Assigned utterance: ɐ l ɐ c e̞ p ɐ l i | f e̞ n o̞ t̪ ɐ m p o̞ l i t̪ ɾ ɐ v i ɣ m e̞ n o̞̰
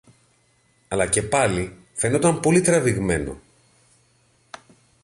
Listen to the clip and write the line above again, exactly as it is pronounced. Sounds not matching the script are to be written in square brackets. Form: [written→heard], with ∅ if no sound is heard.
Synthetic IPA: ɐ l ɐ c e̞ p ɐ l i | f e̞ n o̞ t̪ ɐ m p o̞ l i t̪ ɾ ɐ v i ɣ m e̞ n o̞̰